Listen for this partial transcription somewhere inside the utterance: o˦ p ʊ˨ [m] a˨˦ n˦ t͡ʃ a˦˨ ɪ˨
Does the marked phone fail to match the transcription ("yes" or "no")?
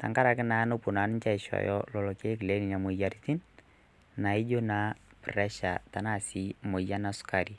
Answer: yes